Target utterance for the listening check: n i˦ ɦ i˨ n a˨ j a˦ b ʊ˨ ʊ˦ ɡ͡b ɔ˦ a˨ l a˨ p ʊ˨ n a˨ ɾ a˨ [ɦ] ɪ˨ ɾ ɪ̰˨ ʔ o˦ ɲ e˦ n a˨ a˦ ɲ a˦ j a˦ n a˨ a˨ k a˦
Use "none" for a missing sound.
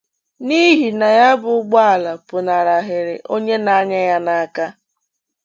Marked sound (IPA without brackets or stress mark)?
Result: ɦ